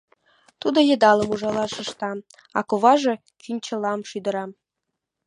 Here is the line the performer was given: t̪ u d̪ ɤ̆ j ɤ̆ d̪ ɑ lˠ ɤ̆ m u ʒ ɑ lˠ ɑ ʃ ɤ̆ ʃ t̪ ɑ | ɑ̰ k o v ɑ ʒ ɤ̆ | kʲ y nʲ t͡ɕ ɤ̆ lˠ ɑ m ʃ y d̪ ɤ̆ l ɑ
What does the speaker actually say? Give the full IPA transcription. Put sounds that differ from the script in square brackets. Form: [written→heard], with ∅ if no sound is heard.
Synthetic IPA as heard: t̪ u d̪ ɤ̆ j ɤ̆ d̪ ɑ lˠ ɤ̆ m u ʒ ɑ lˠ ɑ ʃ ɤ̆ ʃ t̪ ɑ | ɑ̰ k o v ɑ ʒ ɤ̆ | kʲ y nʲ t͡ɕ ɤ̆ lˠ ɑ m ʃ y d̪ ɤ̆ [l→ɾ] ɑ